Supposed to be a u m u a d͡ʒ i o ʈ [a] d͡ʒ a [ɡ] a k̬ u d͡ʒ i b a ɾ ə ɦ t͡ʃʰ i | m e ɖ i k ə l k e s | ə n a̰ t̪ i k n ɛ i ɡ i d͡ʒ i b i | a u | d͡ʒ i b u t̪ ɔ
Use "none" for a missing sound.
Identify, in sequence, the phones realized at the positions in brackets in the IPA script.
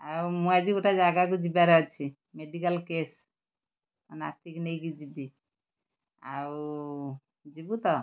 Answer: a, ɡ

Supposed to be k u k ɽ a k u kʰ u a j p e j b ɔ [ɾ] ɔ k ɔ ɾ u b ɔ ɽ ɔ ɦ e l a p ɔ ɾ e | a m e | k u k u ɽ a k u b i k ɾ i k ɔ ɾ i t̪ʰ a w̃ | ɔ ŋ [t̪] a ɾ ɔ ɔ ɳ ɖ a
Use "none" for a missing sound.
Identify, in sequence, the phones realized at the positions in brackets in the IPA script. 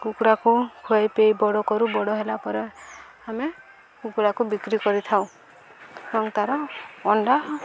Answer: ɽ, t̪

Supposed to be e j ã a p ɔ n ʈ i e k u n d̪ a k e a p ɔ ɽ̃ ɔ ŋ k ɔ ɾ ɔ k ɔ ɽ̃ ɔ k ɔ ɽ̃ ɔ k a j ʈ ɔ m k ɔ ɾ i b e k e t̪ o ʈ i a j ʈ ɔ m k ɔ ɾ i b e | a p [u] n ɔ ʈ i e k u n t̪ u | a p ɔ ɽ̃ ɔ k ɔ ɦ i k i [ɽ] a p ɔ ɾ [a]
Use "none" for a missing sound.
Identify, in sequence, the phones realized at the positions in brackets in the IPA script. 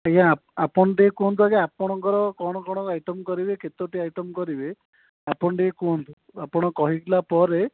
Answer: ɔ, l, e

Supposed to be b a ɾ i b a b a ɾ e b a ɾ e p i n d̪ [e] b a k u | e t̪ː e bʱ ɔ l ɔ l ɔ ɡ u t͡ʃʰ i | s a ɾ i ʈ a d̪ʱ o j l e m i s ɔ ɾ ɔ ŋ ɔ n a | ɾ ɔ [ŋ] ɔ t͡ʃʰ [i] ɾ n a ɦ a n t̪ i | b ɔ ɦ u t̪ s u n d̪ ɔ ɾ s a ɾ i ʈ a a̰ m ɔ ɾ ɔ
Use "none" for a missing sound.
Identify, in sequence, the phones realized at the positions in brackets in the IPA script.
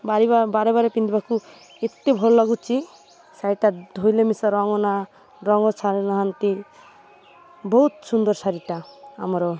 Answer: i, ŋ, a

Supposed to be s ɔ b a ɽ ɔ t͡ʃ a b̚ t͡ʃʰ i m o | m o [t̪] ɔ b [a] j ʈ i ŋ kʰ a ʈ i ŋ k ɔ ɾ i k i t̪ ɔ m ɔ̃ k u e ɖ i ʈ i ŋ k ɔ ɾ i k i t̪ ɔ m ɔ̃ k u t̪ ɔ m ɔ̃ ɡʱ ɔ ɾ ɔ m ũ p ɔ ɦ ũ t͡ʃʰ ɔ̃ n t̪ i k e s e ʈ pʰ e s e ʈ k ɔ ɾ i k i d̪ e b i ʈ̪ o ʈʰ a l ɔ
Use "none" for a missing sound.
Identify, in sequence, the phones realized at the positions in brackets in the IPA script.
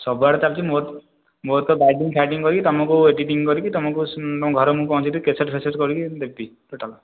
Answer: t̪, a

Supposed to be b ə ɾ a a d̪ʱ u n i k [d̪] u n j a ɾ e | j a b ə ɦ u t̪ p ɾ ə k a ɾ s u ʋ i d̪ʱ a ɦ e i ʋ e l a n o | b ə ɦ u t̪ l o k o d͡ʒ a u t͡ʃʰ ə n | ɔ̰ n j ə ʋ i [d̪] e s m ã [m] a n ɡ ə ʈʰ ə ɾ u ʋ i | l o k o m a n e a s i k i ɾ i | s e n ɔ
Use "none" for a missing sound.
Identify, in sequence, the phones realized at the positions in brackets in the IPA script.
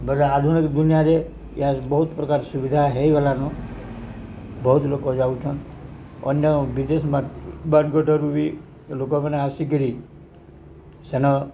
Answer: d̪, d̪, b

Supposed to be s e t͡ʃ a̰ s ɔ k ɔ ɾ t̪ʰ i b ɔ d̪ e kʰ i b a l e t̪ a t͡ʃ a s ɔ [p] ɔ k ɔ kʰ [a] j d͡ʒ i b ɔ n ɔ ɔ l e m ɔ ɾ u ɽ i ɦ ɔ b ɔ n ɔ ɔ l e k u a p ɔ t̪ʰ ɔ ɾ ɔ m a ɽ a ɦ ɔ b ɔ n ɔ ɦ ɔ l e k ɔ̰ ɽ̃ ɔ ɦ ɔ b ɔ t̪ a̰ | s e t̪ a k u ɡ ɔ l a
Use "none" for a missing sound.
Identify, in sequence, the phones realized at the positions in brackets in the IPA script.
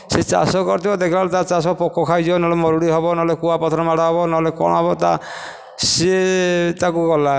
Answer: p, a

